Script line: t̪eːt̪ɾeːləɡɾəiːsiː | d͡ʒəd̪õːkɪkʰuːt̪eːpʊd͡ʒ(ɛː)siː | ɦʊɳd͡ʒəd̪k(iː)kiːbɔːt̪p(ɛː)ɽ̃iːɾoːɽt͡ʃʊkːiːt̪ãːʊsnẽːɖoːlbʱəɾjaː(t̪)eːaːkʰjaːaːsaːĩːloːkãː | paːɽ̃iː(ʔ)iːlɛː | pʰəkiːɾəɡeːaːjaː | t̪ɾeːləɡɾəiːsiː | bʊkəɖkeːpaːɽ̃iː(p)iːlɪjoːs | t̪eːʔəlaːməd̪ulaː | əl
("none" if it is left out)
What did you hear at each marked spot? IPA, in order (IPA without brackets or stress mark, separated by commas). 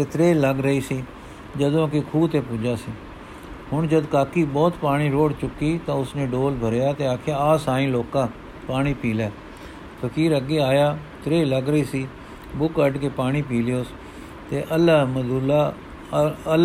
aː, aː, aː, t̪, p, p